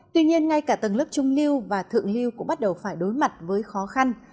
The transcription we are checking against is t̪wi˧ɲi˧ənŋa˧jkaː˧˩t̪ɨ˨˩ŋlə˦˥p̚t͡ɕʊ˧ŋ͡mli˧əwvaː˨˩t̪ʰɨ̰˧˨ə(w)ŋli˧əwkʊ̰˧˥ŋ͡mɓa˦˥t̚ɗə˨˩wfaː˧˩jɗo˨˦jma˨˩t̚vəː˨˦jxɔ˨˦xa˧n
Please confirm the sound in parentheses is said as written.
no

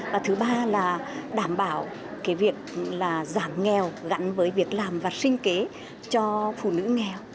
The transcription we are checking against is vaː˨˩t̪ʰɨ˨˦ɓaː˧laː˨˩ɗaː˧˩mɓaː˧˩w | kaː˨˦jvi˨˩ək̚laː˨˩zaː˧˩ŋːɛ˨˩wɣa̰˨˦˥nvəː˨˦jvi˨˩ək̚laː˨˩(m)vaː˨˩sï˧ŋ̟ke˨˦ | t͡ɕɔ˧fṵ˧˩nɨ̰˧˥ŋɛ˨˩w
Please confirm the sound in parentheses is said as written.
yes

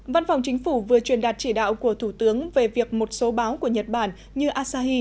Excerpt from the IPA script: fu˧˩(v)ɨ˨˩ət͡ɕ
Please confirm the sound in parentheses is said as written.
yes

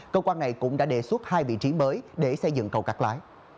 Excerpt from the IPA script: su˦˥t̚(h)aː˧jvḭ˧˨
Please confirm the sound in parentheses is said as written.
yes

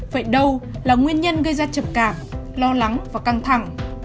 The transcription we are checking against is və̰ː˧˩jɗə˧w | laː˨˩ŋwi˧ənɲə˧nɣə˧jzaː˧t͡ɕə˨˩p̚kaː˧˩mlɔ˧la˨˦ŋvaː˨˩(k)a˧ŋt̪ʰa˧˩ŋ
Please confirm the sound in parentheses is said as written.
yes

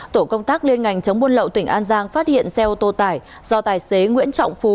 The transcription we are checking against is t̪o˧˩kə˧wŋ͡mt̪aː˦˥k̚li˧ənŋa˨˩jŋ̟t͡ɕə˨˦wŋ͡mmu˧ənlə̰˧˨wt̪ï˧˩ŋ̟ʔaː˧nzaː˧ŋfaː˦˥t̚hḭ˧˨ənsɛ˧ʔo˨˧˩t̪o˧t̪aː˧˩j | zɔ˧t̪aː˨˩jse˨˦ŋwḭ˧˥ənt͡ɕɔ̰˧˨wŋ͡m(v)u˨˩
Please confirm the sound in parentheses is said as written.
no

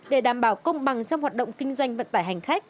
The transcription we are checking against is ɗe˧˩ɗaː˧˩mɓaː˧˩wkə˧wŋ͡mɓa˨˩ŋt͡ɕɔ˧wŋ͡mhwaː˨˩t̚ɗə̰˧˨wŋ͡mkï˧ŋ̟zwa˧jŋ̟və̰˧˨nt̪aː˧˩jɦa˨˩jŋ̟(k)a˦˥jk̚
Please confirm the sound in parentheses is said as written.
no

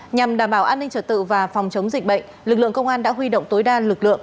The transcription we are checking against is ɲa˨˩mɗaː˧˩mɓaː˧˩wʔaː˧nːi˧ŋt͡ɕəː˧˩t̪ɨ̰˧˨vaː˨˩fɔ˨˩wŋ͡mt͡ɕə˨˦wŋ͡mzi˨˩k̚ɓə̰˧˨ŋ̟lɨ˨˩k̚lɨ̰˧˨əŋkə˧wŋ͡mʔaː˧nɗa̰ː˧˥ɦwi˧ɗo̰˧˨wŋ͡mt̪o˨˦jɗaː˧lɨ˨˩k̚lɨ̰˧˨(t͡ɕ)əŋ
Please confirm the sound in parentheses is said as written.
no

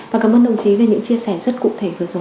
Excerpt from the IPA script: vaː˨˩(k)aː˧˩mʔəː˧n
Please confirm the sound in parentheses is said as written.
yes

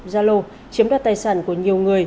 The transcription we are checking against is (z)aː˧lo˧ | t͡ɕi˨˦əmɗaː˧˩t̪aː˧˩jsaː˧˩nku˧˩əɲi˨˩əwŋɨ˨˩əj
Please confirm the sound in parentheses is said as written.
yes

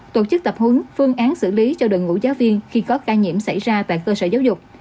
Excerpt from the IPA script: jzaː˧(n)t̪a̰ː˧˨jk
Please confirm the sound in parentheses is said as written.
no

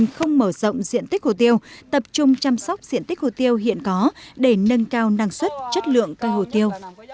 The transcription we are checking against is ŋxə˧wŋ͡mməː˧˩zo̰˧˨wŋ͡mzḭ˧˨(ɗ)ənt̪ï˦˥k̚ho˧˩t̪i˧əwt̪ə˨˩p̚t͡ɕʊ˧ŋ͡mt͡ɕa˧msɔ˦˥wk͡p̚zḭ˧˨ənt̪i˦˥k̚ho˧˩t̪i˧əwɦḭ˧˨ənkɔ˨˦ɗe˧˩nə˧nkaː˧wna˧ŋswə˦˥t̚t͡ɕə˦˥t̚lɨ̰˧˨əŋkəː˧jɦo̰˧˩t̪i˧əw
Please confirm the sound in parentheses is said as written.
no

